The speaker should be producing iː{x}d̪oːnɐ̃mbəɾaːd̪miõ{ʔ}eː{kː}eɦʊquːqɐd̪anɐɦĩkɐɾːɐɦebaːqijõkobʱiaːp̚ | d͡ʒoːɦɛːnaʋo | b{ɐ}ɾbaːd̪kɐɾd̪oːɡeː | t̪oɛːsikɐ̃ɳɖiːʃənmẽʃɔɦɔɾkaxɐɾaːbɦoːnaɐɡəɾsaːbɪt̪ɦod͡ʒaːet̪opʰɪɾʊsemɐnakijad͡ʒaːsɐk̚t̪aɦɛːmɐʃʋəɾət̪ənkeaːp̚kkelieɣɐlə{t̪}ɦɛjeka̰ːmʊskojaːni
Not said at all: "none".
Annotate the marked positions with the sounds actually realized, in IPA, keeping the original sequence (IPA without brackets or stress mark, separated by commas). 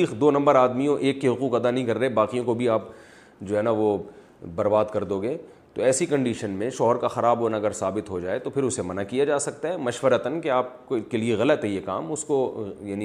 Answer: x, ʔ, kː, ɐ, t̪